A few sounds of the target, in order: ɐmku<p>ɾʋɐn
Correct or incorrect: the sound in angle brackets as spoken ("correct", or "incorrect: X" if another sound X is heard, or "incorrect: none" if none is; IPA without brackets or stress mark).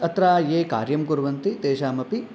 incorrect: none